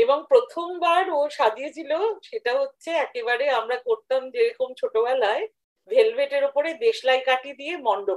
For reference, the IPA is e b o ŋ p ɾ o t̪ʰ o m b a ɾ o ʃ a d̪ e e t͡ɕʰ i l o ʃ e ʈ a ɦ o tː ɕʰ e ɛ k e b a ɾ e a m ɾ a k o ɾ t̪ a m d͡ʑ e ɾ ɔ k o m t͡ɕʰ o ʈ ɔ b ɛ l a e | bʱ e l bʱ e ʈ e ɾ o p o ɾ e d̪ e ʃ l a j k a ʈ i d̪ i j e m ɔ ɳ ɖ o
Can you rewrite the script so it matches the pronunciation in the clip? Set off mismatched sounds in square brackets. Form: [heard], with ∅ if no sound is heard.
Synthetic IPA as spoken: e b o ŋ p ɾ o t̪ʰ o m b a ɾ o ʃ a d̪ [i] e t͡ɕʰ i l o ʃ e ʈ a ɦ o tː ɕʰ e ɛ k e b a ɾ e a m ɾ a k o ɾ t̪ a m d͡ʑ e ɾ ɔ k o m t͡ɕʰ o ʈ [o] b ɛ l a e | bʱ e l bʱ e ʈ e ɾ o p o ɾ e d̪ e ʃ l a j k a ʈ i d̪ i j e m ɔ ɳ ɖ o